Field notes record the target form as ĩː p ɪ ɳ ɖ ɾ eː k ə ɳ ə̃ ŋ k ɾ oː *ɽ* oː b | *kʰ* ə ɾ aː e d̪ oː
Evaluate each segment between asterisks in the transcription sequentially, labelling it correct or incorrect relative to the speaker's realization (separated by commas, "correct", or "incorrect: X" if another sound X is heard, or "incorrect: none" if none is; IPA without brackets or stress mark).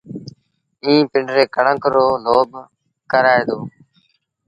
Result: incorrect: l, incorrect: k